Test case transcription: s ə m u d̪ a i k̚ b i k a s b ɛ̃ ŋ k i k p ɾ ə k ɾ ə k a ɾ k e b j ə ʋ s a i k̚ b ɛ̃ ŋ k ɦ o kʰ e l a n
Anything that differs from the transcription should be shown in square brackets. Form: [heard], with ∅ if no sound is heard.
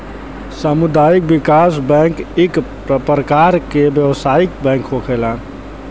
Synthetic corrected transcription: s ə m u d̪ a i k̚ b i k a s b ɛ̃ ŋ k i k p ɾ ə [p] ɾ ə k a ɾ k e b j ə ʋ s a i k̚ b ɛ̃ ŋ k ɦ o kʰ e l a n